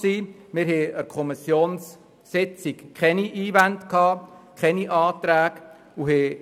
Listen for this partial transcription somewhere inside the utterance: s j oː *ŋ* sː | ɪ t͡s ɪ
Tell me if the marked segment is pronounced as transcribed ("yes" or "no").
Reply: no